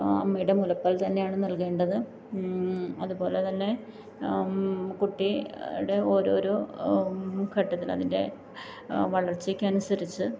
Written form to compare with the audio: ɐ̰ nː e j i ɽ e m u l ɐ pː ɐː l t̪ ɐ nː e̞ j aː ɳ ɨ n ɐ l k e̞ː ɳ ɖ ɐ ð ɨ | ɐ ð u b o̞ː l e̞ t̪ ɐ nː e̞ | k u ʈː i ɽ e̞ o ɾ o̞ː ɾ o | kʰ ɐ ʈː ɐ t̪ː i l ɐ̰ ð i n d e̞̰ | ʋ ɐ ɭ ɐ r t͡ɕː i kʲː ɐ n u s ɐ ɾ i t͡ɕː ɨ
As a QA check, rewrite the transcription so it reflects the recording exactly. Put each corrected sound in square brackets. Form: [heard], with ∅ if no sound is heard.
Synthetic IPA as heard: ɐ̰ [mː] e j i ɽ e m u l ɐ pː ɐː l t̪ ɐ nː e̞ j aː ɳ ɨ n ɐ l k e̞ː ɳ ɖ ɐ ð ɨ | ɐ ð u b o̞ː l e̞ t̪ ɐ nː e̞ | k u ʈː i ɽ e̞ o ɾ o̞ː ɾ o | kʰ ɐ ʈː ɐ t̪ː i l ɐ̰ ð i n d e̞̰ | ʋ ɐ ɭ ɐ r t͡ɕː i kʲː ɐ n u s ɐ ɾ i t͡ɕː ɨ